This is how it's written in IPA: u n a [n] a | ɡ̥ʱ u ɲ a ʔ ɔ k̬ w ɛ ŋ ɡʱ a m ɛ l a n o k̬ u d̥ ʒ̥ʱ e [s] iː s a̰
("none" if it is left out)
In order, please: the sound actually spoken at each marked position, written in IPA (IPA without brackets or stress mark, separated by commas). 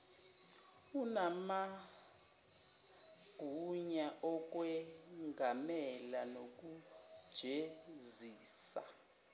m, z